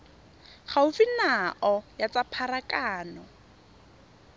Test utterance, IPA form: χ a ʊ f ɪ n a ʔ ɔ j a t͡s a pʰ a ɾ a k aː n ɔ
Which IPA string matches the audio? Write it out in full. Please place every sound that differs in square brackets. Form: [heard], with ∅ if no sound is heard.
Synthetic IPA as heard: χ a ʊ f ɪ n a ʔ ɔ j a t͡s a pʰ a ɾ a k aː n ɔ